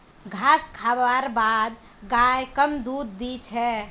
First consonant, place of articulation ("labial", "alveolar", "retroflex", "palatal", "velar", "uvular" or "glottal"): velar